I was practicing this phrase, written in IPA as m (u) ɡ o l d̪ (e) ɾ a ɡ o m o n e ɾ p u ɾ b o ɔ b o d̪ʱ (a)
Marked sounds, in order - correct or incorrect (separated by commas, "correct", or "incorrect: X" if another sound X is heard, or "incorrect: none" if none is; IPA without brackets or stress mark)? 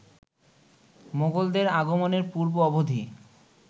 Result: incorrect: o, correct, incorrect: i